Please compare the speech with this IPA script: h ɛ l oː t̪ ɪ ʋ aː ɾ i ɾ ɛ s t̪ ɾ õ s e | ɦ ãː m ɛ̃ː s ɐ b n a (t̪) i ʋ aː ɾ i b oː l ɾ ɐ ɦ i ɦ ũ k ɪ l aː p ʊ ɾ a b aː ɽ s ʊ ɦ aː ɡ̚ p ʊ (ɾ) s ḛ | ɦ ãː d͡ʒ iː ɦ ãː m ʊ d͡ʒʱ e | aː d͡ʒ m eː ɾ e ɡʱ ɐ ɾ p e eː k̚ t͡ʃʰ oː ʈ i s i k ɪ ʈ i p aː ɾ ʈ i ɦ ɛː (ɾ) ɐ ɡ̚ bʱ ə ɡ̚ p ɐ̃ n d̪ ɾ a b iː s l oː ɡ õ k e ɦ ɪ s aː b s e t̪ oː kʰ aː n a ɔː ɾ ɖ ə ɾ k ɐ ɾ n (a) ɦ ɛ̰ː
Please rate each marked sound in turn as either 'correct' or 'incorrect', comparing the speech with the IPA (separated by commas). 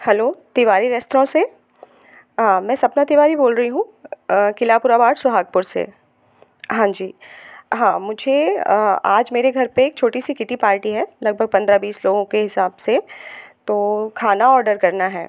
correct, correct, incorrect, correct